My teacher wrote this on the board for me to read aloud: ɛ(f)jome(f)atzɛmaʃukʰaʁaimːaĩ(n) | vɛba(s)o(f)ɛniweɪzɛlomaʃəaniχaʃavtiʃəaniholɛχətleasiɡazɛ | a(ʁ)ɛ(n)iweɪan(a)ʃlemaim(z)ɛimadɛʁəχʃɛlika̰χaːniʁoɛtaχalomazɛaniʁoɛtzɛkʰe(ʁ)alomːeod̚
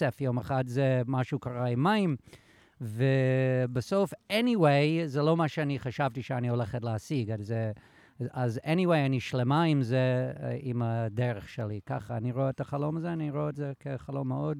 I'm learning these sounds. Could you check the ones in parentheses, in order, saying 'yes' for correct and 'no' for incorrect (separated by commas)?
yes, no, no, yes, yes, no, yes, no, yes, no